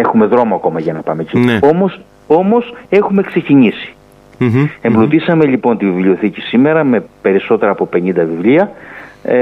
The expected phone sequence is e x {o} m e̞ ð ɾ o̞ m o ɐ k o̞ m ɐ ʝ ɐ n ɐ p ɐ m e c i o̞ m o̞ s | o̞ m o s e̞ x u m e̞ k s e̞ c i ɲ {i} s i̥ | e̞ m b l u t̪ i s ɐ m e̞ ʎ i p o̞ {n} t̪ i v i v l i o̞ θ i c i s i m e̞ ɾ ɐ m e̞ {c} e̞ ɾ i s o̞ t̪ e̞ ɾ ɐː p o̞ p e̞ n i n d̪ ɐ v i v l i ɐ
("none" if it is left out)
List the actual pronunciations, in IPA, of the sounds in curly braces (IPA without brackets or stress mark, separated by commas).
u, i, n, p